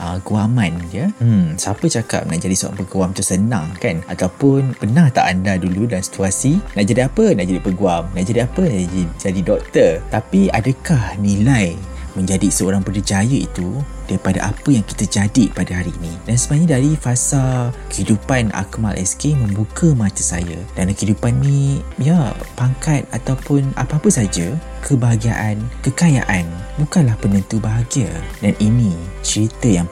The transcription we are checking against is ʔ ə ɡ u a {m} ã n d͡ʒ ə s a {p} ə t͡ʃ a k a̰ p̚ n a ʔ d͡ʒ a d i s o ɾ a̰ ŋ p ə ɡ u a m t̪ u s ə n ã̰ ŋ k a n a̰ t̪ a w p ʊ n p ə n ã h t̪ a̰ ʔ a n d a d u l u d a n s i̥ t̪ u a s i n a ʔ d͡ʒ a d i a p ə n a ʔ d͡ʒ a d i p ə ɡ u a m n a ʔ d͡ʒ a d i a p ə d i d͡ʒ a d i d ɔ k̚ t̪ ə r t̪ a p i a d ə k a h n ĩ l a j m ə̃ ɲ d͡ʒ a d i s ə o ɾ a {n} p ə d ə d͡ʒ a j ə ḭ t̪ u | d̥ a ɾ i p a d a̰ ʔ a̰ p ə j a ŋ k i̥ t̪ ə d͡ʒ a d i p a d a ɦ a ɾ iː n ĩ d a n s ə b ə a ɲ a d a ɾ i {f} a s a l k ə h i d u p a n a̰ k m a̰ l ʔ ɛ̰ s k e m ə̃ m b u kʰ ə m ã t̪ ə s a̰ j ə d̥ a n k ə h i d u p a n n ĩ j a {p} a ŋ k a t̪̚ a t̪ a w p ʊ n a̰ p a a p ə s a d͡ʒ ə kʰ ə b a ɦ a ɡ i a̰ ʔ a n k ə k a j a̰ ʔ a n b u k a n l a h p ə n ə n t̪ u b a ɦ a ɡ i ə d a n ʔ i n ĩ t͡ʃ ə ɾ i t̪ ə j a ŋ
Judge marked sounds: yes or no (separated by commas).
yes, yes, no, yes, yes